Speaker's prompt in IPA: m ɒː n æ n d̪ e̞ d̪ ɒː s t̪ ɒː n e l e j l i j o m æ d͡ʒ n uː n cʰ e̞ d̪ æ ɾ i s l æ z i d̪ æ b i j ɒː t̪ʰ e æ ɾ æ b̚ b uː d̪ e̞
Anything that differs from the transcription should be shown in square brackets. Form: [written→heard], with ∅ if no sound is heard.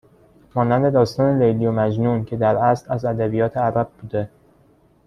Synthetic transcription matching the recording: m ɒː n æ n d̪ e̞ d̪ ɒː s t̪ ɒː n e l e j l i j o m æ d͡ʒ n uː n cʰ e̞ d̪ æ ɾ [i→æ] s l æ z [i→æ] d̪ æ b i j ɒː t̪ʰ e æ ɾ æ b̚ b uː d̪ e̞

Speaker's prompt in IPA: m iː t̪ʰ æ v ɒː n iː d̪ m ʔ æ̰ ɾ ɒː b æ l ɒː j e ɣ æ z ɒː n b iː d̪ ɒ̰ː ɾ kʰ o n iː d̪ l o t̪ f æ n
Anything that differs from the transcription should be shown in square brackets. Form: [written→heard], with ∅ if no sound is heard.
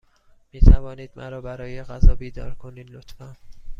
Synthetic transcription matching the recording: m iː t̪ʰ æ v ɒː n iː d̪ m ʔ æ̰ ɾ ɒː b æ [l→ɾ] ɒː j e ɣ æ z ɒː [n→∅] b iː d̪ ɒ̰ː ɾ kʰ o n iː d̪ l o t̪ f æ n

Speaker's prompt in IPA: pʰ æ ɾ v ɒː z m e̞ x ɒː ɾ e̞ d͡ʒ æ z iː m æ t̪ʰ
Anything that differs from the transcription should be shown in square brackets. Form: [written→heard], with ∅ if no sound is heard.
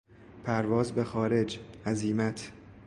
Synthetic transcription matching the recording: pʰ æ ɾ v ɒː z [m→b] e̞ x ɒː ɾ e̞ d͡ʒ æ z iː m æ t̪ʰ

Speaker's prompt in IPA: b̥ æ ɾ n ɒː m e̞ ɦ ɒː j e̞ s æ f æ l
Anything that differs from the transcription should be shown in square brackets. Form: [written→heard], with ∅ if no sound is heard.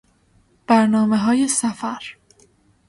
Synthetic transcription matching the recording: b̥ æ ɾ n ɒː m e̞ ɦ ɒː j e̞ s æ f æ [l→ɾ]

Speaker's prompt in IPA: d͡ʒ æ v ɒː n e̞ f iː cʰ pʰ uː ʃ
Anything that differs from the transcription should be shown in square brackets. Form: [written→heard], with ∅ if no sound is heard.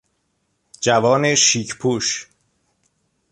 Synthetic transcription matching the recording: d͡ʒ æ v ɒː n e̞ [f→ʃ] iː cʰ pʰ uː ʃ

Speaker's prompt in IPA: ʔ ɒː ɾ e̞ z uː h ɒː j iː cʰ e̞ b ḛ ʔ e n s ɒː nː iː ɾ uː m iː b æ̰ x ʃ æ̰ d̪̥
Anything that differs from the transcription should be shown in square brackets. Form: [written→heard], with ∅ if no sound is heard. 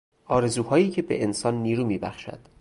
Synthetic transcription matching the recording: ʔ ɒː ɾ e̞ z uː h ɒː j iː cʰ e̞ b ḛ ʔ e n s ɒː nː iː ɾ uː m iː b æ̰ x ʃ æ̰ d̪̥

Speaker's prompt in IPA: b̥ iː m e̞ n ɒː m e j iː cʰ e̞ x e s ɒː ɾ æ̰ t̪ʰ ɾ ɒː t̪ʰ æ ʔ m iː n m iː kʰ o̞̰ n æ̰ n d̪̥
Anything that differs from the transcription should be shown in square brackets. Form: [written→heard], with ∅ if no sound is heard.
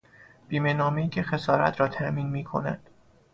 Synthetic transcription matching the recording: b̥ iː m e̞ n ɒː m e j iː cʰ e̞ x e s ɒː ɾ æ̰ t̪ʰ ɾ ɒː t̪ʰ æ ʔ m iː n m iː kʰ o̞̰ n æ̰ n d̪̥

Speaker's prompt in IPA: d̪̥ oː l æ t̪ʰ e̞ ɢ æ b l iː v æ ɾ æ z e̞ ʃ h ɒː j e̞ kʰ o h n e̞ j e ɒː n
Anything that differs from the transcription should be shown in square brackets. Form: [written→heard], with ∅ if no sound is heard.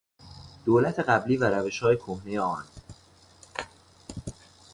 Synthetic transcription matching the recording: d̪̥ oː l æ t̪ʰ e̞ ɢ æ b l iː v æ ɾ æ [z→v] e̞ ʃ h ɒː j e̞ kʰ o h n e̞ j e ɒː n

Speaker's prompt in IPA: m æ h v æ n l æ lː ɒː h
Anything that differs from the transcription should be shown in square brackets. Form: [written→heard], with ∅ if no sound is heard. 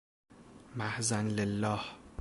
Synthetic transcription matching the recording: m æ h [v→z] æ n l [æ→e] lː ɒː h

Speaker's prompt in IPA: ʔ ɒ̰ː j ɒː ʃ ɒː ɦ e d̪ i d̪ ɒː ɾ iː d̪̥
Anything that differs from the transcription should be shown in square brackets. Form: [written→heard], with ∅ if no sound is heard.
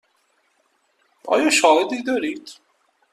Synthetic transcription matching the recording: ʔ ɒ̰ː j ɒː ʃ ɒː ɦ e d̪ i d̪ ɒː ɾ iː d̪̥

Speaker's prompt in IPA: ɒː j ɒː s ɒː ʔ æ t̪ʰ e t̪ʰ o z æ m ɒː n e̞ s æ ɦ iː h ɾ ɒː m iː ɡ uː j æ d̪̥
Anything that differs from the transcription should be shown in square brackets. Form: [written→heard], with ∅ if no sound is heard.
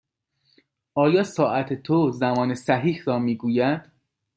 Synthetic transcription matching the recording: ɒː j ɒː s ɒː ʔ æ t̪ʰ e t̪ʰ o z æ m ɒː n e̞ s æ ɦ iː h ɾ ɒː m iː ɡ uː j æ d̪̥

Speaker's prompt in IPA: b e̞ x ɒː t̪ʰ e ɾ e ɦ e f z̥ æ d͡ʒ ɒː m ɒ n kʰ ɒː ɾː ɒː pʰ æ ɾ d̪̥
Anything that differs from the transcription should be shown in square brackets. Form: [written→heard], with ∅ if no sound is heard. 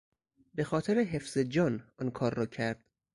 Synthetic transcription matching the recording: b e̞ x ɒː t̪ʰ e ɾ e ɦ e f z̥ [æ→e] d͡ʒ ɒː [m→n] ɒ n kʰ ɒː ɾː ɒː [pʰ→cʰ] æ ɾ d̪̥

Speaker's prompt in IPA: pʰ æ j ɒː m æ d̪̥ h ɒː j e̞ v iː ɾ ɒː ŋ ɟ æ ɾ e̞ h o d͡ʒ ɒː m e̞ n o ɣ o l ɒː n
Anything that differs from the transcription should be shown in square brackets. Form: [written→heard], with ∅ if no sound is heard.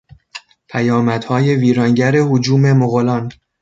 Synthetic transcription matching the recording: pʰ æ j ɒː m æ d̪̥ h ɒː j e̞ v iː ɾ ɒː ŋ ɟ æ ɾ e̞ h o d͡ʒ [ɒː→uː] m e̞ [n→m] o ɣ o l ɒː n

